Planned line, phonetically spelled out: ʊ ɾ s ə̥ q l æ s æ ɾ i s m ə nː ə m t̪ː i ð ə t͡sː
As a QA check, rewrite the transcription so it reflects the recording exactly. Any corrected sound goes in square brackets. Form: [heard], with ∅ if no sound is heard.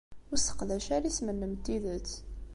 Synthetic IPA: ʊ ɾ s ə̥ q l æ [ʃ] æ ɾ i s m ə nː ə m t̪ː i ð ə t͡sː